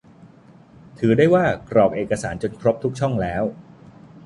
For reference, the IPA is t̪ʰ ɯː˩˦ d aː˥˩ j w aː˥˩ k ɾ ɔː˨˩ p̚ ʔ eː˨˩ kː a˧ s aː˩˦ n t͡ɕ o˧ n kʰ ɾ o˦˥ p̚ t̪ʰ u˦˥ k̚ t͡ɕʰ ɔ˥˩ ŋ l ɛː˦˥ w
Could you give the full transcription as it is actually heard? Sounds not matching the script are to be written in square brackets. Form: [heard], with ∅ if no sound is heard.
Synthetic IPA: t̪ʰ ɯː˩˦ d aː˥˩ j w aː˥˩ k ɾ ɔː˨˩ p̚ ʔ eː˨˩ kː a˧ s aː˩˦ n t͡ɕ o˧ n kʰ ɾ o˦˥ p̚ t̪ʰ u˦˥ k̚ t͡ɕʰ ɔ˥˩ ŋ l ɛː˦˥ w

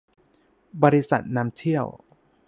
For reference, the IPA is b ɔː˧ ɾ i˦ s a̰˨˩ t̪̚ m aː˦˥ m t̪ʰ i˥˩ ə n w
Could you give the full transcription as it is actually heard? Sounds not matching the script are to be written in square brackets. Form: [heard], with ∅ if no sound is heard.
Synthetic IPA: b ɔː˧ ɾ i˦ s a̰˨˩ t̪̚ [n] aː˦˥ m t̪ʰ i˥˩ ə [∅] w

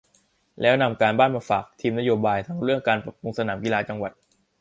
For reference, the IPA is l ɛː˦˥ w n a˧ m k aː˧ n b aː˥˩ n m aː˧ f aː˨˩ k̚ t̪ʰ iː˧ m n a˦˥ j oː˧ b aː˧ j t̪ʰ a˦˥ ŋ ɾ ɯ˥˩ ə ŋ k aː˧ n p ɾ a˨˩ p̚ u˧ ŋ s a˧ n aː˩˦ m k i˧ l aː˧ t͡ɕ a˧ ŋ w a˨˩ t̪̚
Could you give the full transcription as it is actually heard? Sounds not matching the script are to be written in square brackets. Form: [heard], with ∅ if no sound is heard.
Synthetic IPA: l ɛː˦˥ w n a˧ m k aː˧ n b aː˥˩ n m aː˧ f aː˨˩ k̚ t̪ʰ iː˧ m n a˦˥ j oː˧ b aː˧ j t̪ʰ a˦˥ ŋ ɾ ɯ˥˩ ə ŋ k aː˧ n p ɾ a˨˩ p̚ u˧ ŋ s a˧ n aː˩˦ m k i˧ l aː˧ t͡ɕ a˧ ŋ w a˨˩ t̪̚

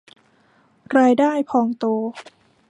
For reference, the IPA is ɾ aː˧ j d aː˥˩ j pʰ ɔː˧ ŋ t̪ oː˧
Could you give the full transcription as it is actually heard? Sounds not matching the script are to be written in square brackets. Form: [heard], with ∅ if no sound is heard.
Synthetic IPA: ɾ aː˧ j d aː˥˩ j pʰ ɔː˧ ŋ t̪ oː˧

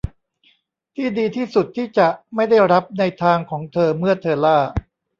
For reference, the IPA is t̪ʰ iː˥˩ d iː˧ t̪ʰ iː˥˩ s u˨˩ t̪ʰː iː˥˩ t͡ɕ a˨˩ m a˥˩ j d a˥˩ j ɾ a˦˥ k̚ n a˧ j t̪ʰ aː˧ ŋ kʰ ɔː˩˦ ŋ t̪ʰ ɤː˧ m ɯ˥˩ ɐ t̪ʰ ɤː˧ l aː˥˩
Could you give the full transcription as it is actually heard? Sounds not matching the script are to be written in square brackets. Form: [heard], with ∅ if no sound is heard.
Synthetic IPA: t̪ʰ iː˥˩ d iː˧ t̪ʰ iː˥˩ s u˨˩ t̪ʰː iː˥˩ t͡ɕ a˨˩ m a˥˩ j d a˥˩ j ɾ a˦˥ [p̚] n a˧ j t̪ʰ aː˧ ŋ kʰ ɔː˩˦ ŋ t̪ʰ ɤː˧ m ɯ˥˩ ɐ t̪ʰ ɤː˧ l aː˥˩

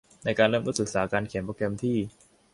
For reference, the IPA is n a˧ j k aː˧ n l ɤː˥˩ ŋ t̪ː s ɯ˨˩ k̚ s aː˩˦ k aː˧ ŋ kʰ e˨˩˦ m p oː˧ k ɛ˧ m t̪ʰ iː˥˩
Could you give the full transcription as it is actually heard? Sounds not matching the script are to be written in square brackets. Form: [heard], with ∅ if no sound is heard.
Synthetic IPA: n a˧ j k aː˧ n l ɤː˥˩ [m] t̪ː s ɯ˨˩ k̚ s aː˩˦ k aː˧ [n] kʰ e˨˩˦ m p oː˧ k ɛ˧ m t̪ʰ iː˥˩

